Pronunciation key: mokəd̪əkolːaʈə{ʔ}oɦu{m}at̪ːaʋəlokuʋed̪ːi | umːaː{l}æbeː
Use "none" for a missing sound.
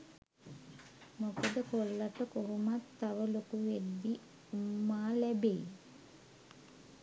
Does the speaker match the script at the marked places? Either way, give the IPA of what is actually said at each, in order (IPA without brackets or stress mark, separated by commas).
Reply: k, m, l